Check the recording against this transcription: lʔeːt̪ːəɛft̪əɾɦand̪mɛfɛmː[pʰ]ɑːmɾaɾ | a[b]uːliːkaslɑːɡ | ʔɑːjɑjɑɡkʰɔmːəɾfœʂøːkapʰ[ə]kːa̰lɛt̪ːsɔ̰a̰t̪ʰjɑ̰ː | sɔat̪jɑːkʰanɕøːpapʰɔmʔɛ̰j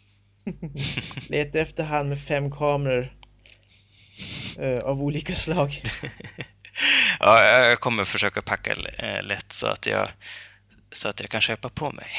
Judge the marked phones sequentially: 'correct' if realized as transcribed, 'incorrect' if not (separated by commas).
incorrect, incorrect, incorrect